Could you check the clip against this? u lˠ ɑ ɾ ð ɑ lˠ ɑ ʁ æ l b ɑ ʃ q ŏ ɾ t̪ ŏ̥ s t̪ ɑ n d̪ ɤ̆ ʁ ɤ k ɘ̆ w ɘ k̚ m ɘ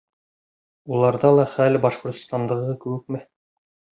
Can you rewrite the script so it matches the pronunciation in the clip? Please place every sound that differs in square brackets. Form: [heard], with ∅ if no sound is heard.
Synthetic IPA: u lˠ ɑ ɾ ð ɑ lˠ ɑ [χ] æ l b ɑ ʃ q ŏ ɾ t̪ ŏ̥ s t̪ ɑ n d̪ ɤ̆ ʁ ɤ k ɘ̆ w ɘ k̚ m ɘ